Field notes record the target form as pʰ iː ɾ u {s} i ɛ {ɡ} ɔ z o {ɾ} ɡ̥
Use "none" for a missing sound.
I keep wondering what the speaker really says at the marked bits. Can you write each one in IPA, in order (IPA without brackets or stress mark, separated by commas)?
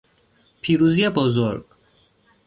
z, b, ɾ